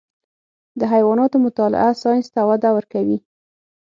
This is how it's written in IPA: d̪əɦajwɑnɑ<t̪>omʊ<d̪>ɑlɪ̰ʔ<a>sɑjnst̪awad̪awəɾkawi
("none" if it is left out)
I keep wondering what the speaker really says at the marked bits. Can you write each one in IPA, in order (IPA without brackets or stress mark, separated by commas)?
t̪, t̪, a